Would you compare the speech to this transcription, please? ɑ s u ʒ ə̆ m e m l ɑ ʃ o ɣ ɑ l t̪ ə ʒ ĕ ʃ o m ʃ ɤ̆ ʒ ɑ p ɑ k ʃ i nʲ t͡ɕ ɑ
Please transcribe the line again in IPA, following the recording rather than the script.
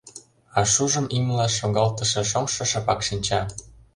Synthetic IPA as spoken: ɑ ʃ u ʒ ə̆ m i m l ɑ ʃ o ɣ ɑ l t̪ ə ʃ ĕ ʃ o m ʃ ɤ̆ ʃ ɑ p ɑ k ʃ i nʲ t͡ɕ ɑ

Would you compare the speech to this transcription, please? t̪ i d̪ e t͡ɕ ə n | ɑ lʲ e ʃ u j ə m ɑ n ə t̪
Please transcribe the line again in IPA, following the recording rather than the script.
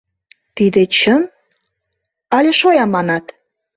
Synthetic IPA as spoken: t̪ i d̪ e t͡ɕ ə n | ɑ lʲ e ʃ o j ɑ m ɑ n ɑ t̪

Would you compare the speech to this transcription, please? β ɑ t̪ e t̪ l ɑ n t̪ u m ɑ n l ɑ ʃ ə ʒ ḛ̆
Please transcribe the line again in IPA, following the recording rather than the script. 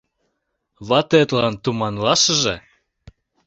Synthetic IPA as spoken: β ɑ t̪ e t̪ l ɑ n t̪ u m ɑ n l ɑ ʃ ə ʒ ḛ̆

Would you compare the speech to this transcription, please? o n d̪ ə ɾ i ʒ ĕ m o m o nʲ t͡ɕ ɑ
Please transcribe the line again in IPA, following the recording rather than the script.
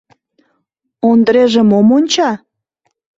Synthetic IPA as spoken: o n d̪ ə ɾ e ʒ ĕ m o m o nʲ t͡ɕ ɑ

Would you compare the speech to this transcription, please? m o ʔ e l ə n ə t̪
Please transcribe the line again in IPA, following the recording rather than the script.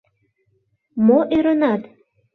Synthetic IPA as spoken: m o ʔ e ɾ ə n ɑ t̪

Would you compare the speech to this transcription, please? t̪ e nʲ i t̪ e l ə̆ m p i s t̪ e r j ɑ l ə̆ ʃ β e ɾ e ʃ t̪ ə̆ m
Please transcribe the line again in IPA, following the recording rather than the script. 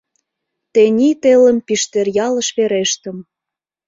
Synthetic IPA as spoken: t̪ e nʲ i t̪ e l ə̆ m p i ʃ t̪ e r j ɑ l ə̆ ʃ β e ɾ e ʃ t̪ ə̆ m

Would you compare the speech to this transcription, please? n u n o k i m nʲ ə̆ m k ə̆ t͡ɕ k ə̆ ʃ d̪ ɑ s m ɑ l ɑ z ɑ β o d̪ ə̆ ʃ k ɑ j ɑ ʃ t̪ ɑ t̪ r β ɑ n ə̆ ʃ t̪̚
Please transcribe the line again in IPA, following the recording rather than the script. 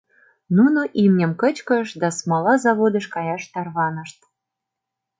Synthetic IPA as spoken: n u n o ʔ i m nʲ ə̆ m k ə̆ t͡ɕ k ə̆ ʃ d̪ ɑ s m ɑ l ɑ z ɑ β o d̪ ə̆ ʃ k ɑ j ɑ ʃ t̪ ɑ r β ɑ n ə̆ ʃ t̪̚

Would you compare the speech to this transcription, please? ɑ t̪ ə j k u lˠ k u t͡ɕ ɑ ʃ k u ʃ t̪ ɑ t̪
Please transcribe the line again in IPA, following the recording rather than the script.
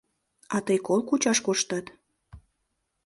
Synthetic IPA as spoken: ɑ t̪ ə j k o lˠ k u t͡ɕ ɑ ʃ k o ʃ t̪ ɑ t̪

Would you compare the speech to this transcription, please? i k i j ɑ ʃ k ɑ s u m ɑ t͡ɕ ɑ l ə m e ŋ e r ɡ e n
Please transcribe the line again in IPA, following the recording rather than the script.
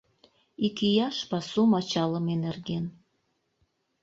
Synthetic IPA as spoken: i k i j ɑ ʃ p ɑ s u m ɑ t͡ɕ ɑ l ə m e n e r ɡ e n

